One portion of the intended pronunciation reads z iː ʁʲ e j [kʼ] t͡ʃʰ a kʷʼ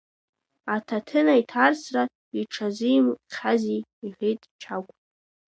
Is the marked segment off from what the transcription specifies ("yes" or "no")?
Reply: yes